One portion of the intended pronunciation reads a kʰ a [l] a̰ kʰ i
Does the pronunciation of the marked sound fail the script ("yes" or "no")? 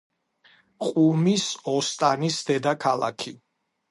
no